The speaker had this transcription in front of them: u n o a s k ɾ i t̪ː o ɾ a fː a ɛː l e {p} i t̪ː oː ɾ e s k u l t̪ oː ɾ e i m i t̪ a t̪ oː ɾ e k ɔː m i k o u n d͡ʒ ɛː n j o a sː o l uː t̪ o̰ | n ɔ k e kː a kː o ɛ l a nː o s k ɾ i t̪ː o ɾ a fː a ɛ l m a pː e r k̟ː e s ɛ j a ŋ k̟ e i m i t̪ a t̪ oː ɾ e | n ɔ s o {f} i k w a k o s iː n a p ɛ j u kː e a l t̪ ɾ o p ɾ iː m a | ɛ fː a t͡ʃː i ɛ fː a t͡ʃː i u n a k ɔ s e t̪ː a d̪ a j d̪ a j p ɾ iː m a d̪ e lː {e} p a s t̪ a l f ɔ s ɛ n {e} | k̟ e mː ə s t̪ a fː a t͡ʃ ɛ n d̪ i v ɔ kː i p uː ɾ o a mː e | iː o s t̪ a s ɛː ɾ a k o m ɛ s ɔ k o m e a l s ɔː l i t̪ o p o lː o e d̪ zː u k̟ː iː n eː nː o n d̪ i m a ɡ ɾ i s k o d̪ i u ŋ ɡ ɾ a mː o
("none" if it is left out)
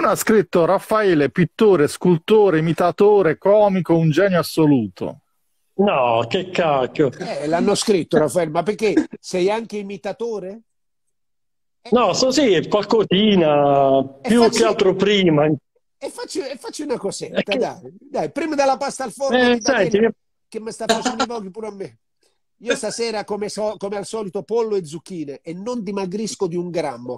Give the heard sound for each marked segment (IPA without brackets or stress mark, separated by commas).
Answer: p, s, a, i